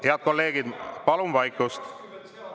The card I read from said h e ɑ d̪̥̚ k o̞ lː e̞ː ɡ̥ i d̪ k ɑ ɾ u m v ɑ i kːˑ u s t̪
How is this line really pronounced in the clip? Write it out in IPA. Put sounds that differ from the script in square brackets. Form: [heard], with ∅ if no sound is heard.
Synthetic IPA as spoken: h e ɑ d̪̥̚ k o̞ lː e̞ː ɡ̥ i d̪ [p] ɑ [l] u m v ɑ [j] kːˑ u s t̪